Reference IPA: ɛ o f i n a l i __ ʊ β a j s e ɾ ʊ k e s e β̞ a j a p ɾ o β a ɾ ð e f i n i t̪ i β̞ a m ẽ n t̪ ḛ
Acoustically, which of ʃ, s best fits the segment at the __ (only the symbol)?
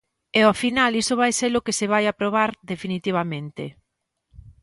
s